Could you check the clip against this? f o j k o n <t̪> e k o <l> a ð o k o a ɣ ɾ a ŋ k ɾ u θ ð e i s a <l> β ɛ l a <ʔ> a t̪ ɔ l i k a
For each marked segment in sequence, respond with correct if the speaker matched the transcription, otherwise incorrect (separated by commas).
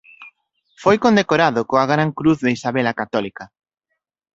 incorrect, incorrect, incorrect, incorrect